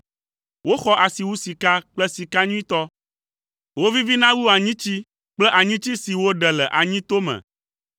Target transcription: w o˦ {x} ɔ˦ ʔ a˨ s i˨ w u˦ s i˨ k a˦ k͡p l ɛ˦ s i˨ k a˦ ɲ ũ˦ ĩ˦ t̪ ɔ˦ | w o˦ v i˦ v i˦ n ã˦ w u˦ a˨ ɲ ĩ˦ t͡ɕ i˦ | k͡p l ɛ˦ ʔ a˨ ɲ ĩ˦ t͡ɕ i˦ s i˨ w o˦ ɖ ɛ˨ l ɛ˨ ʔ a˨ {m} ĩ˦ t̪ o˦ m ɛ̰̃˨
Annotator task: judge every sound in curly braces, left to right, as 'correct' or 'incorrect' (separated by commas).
correct, incorrect